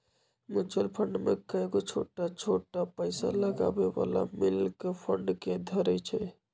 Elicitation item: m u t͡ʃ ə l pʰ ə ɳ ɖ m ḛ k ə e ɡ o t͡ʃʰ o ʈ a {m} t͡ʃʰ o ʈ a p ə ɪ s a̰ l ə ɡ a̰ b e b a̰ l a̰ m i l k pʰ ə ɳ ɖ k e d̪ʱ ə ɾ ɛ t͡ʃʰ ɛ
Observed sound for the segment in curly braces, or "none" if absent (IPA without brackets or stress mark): none